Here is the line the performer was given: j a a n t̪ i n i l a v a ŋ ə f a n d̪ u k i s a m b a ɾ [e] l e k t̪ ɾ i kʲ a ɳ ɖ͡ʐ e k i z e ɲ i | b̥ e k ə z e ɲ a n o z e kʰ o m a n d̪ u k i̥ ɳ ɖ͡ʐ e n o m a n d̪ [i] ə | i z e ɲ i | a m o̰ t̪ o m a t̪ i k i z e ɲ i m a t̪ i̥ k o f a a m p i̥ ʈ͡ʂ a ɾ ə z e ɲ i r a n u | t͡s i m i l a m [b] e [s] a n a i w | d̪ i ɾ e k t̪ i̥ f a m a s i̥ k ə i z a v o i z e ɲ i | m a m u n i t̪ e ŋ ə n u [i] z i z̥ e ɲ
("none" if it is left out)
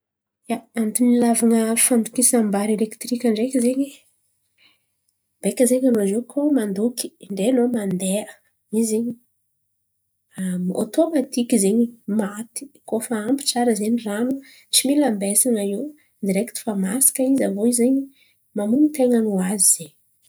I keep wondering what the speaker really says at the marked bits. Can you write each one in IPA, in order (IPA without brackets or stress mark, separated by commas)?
e, e, b, s, a